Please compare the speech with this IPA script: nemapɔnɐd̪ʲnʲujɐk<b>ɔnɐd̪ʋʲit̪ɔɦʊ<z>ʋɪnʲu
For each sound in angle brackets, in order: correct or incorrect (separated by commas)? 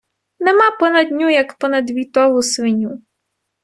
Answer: incorrect, incorrect